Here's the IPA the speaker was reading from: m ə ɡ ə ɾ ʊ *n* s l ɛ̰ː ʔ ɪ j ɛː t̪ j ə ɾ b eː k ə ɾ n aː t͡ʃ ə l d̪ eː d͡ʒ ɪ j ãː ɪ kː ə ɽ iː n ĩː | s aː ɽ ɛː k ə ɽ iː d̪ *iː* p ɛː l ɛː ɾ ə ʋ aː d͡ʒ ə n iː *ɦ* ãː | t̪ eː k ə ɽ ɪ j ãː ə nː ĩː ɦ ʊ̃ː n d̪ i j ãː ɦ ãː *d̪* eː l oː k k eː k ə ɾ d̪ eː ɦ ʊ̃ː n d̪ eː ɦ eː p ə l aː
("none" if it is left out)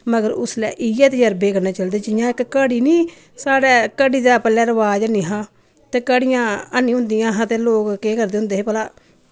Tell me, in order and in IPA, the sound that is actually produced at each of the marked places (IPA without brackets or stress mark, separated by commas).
none, aː, ɦ, t̪